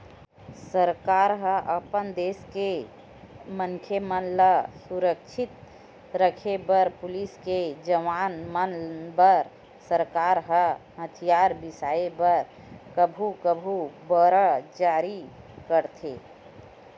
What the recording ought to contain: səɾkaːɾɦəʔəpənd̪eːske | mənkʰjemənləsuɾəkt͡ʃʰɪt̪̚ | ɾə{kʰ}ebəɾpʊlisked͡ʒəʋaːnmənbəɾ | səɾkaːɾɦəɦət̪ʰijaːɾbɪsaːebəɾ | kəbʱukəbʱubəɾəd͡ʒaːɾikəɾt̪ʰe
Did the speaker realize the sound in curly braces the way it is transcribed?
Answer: yes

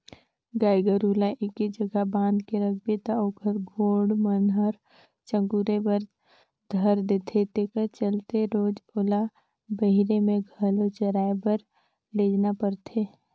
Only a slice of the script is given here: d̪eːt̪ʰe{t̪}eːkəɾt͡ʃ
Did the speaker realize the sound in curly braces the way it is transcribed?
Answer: yes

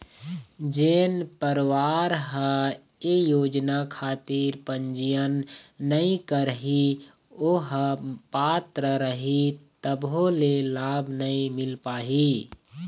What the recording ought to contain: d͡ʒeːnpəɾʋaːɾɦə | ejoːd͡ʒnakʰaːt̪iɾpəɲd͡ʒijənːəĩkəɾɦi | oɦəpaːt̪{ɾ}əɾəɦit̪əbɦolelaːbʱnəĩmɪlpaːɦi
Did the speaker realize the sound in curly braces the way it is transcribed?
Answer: yes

